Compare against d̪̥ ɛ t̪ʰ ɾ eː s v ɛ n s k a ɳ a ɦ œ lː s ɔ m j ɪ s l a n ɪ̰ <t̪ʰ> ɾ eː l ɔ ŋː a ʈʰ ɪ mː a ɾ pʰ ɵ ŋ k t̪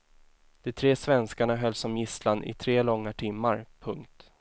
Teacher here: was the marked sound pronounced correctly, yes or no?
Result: yes